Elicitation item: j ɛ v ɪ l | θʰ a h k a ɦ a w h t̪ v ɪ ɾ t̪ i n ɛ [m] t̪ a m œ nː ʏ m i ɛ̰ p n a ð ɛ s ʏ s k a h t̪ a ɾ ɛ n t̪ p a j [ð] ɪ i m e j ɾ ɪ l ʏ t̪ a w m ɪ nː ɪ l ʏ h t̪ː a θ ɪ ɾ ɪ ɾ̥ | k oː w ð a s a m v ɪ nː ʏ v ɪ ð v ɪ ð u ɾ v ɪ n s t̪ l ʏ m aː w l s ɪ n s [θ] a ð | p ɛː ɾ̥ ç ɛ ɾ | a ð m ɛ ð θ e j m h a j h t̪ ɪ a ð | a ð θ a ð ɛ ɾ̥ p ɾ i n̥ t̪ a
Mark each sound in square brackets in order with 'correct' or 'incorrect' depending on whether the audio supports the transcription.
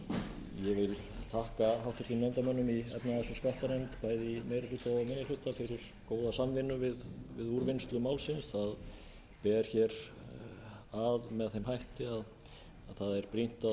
incorrect: n, correct, correct

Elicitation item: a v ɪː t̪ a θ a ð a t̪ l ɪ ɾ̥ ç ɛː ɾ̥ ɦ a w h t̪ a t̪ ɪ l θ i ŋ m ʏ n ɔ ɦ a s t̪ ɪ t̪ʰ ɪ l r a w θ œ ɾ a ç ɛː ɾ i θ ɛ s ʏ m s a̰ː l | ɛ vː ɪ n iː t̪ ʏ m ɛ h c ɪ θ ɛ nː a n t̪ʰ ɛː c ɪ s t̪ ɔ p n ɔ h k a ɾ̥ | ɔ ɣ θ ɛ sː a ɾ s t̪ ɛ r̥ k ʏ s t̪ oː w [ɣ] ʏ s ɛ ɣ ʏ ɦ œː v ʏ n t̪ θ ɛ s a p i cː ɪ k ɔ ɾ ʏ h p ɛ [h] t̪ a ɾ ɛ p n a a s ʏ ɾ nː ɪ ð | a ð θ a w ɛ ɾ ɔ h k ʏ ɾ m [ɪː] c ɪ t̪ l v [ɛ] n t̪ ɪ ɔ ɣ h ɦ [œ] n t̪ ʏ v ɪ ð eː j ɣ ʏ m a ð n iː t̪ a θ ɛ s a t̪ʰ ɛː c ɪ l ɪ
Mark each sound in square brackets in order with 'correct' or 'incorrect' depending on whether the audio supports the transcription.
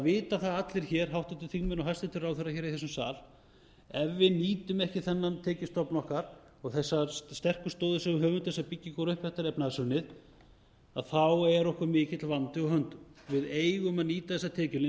incorrect: ð, correct, correct, incorrect: a, correct

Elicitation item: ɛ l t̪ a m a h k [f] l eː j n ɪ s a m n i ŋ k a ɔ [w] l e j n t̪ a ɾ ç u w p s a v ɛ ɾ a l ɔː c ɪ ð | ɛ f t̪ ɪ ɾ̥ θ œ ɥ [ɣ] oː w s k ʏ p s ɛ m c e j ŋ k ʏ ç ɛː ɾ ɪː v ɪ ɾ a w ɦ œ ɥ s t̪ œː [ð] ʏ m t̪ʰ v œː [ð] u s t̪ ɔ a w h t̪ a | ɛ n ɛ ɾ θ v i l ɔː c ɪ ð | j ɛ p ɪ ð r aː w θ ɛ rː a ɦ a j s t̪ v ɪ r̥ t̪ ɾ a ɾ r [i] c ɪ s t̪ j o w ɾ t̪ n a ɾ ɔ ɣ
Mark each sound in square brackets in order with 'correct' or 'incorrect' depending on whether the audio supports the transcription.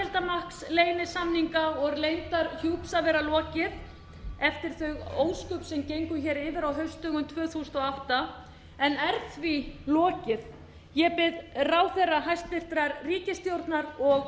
incorrect: s, incorrect: ɣ, correct, incorrect: ɣ, incorrect: θ, incorrect: iː

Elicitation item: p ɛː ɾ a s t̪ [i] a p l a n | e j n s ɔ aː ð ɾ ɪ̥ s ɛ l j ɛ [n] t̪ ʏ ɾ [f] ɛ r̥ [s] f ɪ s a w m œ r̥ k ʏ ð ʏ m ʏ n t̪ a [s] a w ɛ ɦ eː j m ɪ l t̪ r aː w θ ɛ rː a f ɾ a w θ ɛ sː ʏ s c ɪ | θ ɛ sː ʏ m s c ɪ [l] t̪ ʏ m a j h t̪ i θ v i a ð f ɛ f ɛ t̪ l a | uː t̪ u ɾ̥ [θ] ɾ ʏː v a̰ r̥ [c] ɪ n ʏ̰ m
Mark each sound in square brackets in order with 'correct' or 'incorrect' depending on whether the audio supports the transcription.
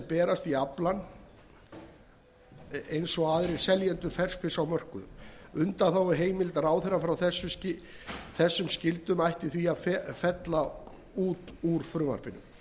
correct, correct, correct, correct, incorrect: θ, correct, incorrect: f, incorrect: p

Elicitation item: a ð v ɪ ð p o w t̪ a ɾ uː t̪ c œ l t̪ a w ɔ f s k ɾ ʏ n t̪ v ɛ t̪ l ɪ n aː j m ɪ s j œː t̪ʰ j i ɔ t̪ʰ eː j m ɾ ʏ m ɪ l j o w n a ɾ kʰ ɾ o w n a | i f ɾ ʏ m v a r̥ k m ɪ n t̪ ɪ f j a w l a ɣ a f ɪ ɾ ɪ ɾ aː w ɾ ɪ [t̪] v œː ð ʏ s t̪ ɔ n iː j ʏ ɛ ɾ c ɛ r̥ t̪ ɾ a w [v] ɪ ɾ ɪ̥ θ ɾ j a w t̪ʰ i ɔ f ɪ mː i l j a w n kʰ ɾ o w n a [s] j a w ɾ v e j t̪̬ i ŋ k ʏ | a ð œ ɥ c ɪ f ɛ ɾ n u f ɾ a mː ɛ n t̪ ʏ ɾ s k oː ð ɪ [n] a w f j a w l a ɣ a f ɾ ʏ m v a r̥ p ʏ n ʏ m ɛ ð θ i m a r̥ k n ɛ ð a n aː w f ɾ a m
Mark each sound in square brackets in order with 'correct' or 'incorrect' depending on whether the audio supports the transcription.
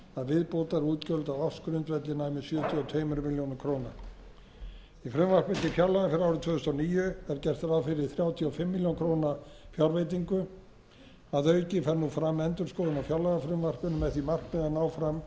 incorrect: t̪ʰ, incorrect: f, incorrect: f, correct

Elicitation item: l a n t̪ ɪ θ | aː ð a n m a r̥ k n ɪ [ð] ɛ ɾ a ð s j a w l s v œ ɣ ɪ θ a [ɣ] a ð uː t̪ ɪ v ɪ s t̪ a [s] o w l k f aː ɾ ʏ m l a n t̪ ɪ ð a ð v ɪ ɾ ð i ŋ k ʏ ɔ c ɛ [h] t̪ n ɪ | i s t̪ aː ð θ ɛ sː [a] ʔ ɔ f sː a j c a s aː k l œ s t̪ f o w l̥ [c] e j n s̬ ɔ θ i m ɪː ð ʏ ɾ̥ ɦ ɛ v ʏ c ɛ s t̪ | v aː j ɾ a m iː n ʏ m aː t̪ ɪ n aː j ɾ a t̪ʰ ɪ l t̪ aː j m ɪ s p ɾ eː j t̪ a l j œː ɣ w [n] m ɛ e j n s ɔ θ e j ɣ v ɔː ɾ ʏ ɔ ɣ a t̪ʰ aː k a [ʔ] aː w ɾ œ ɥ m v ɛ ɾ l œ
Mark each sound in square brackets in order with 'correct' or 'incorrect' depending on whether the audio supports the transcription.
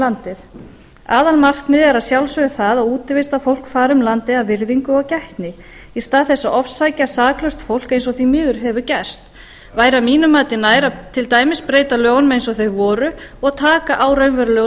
correct, incorrect: ð, incorrect: f, correct, correct, incorrect: k, correct, correct

